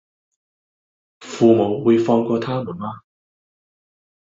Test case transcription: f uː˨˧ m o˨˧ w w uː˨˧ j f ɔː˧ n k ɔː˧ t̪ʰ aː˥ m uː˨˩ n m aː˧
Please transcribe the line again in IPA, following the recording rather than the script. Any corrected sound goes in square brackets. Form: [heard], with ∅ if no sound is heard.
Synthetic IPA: f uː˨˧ m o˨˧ w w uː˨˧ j f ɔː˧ [ŋ] k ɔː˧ t̪ʰ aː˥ m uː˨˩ n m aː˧